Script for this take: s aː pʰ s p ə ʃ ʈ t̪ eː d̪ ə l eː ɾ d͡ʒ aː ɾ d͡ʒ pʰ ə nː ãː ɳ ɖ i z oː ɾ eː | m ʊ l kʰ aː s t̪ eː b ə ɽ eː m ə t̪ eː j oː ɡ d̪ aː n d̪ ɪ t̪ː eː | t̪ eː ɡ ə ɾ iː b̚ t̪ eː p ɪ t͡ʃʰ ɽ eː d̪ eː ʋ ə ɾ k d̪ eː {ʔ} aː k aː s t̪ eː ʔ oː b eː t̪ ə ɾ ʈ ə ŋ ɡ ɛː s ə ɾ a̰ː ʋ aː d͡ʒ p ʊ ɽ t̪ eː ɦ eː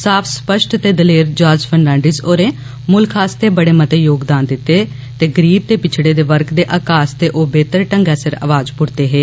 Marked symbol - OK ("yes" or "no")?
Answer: yes